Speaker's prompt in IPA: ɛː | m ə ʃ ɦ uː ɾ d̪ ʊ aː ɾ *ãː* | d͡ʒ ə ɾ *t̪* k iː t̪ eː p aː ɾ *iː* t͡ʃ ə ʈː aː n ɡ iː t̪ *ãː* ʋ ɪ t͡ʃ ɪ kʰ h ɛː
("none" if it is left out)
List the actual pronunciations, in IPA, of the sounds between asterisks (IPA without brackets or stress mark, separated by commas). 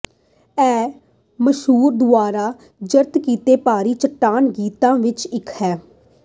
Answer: aː, t̪, iː, ãː